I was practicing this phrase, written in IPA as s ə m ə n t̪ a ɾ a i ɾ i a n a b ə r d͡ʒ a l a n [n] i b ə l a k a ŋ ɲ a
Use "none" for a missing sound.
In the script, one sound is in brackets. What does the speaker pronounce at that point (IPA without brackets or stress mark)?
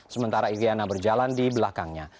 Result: d